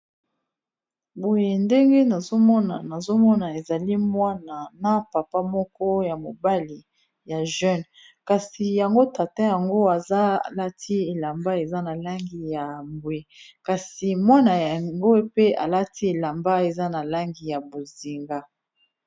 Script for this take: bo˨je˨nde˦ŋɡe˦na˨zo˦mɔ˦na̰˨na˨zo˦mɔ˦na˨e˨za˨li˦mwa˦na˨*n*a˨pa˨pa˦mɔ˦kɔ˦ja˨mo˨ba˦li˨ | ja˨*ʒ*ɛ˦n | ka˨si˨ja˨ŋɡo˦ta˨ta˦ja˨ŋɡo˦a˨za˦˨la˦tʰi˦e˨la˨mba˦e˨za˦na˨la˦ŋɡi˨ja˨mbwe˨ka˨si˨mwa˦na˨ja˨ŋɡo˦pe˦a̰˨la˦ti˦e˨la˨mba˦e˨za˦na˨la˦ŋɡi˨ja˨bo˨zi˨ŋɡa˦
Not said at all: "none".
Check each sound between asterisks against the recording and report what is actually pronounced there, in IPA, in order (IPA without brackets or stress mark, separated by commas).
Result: n, ʒ